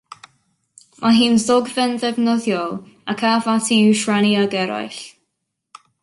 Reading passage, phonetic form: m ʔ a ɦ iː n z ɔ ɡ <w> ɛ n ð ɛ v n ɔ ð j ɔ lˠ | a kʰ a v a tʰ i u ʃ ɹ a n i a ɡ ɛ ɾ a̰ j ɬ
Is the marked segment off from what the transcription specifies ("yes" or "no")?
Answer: yes